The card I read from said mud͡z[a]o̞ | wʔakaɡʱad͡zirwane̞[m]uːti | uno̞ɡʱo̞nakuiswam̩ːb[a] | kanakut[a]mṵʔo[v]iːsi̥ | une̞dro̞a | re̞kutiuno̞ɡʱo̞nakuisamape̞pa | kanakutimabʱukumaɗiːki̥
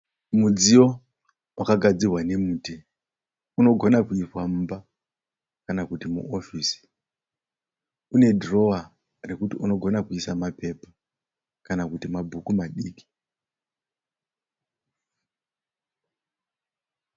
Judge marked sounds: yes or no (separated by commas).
no, yes, yes, no, no